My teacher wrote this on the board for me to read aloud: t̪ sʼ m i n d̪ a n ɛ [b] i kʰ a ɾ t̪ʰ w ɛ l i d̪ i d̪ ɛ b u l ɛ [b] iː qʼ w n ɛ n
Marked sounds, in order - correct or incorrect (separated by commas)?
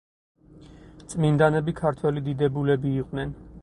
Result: correct, correct